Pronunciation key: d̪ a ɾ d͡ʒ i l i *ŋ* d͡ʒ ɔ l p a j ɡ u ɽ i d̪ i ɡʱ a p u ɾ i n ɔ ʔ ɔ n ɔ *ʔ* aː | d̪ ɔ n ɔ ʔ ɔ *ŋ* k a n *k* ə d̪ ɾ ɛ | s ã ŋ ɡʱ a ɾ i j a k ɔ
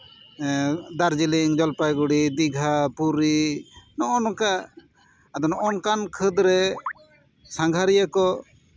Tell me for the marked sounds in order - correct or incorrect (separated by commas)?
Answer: correct, incorrect, incorrect, incorrect